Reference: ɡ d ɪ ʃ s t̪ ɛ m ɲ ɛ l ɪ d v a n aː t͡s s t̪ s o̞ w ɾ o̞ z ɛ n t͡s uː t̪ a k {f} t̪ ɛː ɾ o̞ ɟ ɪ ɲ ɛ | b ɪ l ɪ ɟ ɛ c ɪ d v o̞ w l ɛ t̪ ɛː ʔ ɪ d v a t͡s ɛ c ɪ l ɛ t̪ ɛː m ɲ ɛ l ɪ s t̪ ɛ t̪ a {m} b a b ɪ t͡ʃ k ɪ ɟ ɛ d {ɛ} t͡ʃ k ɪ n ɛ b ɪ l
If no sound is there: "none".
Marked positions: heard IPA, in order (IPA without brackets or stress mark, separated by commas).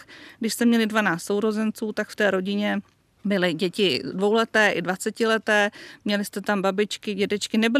f, m, ɛ